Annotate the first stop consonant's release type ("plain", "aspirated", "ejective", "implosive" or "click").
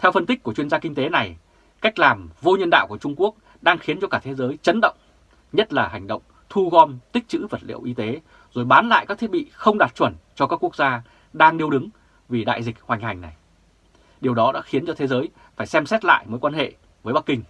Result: aspirated